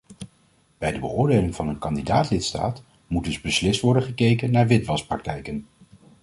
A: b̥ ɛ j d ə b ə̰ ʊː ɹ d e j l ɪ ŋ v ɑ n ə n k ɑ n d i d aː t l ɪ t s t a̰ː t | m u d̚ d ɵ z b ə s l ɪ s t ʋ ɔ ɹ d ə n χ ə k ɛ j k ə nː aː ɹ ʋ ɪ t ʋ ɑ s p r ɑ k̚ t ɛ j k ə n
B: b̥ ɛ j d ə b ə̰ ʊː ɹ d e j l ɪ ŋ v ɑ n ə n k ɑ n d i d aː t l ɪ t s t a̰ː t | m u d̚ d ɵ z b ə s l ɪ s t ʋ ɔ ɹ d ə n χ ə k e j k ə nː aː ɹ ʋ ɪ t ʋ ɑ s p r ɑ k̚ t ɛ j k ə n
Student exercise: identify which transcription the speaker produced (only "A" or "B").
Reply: B